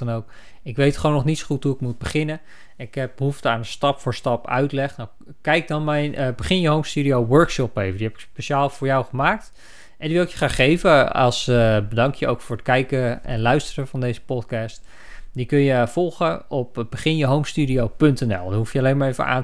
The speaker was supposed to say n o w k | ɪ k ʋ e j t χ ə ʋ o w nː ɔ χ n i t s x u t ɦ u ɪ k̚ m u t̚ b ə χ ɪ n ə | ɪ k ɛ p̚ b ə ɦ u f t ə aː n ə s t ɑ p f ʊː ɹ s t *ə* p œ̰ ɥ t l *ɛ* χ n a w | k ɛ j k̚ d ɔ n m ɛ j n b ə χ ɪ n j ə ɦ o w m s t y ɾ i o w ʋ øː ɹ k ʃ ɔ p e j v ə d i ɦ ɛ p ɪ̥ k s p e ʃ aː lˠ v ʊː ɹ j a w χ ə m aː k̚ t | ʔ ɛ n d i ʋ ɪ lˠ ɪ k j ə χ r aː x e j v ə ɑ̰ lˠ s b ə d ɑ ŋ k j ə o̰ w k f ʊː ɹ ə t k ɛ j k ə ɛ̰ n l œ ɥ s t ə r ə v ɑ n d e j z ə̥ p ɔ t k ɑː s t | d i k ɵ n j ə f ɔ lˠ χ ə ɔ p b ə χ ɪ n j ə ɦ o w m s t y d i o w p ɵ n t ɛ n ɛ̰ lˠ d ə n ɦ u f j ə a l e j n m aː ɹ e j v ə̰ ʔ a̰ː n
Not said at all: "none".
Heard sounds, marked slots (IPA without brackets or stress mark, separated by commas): ɑ, ɛ